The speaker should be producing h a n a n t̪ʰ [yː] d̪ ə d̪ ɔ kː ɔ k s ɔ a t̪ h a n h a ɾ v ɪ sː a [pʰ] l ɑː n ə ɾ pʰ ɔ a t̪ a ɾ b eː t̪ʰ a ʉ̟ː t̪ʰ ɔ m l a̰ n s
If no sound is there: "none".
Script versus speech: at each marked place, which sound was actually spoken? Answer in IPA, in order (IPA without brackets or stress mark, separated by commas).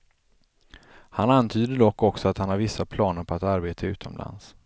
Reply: yː, pʰ